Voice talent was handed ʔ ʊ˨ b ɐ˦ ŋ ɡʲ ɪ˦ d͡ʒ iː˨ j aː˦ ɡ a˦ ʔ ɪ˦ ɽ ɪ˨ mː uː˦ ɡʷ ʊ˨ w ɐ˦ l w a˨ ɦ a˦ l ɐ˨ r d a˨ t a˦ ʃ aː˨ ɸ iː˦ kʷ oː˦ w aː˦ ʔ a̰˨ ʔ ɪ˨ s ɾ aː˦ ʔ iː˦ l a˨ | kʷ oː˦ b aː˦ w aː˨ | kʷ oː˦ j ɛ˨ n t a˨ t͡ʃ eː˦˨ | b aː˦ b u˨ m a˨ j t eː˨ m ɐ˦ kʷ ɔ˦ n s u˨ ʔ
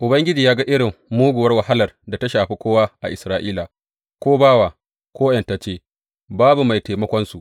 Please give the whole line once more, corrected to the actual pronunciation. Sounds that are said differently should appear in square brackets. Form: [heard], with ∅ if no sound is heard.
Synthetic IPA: ʔ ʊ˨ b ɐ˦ ŋ ɡʲ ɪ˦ d͡ʒ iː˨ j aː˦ ɡ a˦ ʔ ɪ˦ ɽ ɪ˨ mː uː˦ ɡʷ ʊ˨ w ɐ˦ [r] w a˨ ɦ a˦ l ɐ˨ r d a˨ t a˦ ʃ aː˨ ɸ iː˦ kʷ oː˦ w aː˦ ʔ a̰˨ ʔ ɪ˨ s ɾ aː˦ ʔ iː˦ l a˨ | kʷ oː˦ b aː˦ w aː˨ | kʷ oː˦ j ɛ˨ n t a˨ t͡ʃ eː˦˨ | b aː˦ b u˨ m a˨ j t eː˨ m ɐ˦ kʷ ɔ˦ n s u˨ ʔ